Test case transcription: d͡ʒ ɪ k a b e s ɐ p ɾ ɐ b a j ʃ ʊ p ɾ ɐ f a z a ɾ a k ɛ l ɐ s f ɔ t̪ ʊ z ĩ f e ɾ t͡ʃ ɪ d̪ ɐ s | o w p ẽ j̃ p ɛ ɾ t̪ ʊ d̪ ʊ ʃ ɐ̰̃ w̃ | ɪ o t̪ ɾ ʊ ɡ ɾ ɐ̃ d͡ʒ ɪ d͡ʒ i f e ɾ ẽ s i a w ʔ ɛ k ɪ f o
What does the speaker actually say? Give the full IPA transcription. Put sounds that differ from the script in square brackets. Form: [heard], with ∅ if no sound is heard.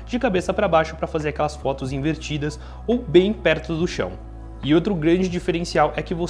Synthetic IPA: d͡ʒ ɪ k a b e s ɐ p ɾ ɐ b a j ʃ ʊ p ɾ ɐ f a z [e] ɾ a k ɛ l ɐ s f ɔ t̪ ʊ z ĩ [v] e ɾ t͡ʃ [i] d̪ ɐ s | o w [b] ẽ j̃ p ɛ ɾ t̪ ʊ d̪ ʊ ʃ ɐ̰̃ w̃ | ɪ o t̪ ɾ ʊ ɡ ɾ ɐ̃ d͡ʒ ɪ d͡ʒ i f e ɾ ẽ s i a w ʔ ɛ k ɪ [v] o